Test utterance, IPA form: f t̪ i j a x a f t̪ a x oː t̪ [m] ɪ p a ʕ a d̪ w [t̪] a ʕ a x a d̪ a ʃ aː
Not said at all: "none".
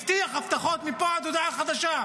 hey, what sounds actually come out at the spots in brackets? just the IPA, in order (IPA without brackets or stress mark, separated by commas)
m, d̪